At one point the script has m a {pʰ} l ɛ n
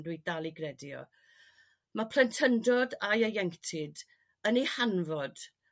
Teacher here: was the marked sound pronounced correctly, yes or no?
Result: yes